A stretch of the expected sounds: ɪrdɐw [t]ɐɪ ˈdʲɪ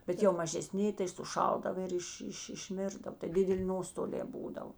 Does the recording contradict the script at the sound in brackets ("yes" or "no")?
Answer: no